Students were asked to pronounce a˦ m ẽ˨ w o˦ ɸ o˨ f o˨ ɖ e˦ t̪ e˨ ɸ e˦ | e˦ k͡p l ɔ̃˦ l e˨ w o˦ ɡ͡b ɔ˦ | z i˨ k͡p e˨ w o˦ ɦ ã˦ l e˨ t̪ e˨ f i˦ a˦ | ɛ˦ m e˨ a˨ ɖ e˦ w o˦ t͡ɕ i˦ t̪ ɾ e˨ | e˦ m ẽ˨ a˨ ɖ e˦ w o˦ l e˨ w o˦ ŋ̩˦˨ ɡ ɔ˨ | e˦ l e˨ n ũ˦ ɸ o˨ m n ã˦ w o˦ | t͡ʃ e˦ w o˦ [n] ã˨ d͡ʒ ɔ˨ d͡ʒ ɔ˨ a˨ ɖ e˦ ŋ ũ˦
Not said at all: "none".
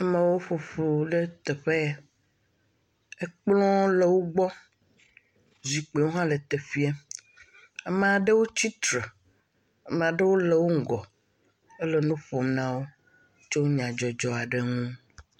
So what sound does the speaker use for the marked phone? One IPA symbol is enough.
ɲ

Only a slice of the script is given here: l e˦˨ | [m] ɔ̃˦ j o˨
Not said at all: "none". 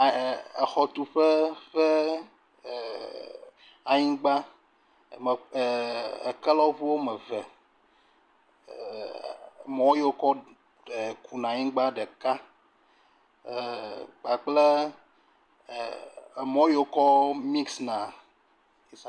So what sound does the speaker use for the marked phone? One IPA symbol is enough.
m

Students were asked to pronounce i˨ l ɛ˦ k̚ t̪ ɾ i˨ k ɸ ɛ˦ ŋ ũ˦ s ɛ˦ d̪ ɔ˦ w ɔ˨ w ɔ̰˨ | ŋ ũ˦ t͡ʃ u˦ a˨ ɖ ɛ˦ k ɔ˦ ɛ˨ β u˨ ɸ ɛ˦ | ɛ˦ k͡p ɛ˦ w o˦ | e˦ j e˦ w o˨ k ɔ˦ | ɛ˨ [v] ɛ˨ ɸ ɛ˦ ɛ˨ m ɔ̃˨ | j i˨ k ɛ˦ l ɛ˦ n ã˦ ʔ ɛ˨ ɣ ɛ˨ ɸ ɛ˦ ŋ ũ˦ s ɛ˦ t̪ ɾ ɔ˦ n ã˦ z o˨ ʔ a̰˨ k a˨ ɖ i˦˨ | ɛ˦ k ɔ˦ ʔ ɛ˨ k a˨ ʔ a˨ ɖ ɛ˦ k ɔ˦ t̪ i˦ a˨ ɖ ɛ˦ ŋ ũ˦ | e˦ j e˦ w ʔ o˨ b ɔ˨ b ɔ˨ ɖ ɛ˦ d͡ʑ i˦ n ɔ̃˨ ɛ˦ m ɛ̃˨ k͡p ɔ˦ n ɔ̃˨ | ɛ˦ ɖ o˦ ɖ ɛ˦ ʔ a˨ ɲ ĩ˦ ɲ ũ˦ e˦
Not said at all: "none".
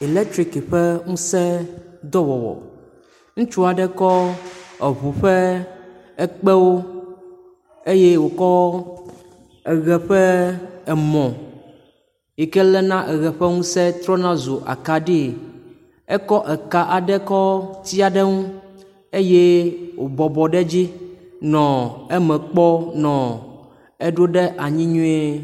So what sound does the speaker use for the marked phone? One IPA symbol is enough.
ɣ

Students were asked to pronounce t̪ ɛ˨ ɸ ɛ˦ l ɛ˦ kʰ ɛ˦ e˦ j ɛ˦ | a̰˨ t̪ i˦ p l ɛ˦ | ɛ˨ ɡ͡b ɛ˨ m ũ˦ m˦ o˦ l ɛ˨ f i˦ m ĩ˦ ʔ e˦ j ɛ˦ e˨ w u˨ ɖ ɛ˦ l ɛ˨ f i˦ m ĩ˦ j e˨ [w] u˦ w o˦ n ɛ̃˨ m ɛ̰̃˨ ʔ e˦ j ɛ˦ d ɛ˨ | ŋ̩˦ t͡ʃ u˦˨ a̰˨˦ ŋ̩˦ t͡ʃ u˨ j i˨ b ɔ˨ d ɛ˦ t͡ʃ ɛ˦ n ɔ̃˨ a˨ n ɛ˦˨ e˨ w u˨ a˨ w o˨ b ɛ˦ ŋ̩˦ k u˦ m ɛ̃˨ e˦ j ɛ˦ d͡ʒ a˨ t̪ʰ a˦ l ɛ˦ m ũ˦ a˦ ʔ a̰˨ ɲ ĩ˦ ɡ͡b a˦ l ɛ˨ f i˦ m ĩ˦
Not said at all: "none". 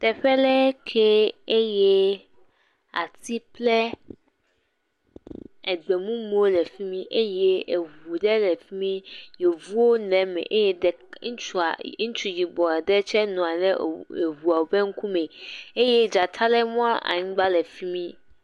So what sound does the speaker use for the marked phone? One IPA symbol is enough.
v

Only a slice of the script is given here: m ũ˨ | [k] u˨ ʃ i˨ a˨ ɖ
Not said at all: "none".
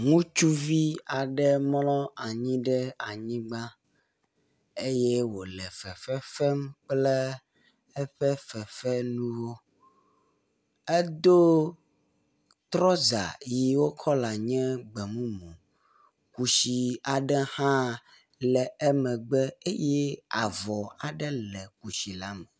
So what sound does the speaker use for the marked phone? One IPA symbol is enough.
k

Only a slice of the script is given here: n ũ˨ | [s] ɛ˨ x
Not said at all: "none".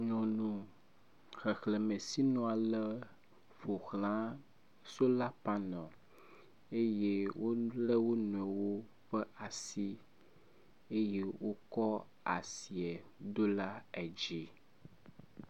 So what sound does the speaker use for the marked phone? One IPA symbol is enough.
x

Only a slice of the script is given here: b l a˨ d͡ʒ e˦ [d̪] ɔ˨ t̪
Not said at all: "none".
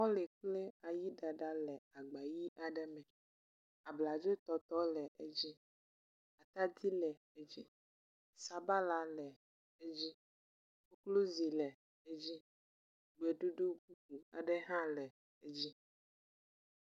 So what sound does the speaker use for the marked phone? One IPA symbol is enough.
t̪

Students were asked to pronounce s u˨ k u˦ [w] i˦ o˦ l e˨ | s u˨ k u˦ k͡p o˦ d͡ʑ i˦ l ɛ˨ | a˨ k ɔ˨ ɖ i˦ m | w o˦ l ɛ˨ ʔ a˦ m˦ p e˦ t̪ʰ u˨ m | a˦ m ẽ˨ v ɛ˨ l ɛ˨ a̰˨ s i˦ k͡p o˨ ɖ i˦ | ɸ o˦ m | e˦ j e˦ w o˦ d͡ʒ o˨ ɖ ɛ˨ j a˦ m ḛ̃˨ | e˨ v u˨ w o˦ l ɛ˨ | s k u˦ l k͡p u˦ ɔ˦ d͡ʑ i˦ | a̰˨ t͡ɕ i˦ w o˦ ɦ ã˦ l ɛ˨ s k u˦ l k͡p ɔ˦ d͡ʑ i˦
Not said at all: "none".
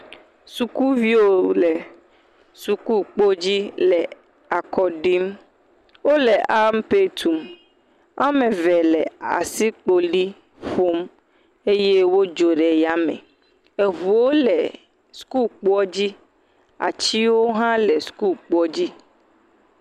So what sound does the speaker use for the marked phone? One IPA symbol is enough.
v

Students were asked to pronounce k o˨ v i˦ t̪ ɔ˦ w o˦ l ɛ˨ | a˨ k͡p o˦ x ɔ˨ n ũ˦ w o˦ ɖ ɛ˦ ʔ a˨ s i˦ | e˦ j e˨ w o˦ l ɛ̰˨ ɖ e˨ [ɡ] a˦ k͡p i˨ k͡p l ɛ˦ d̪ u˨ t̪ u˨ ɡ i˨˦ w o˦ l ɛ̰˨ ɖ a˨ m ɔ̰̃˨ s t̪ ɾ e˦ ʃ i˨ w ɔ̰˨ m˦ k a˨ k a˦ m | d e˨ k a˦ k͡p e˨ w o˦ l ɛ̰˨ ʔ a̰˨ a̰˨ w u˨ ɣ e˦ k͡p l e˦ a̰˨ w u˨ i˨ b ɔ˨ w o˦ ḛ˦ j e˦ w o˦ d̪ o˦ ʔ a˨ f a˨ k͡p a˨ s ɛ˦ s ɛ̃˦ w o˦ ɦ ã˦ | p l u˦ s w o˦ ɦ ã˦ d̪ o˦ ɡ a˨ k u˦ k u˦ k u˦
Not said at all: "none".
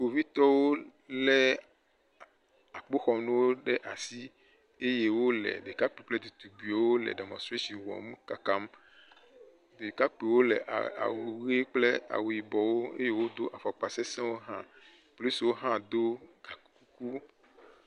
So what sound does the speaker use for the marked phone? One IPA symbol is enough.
k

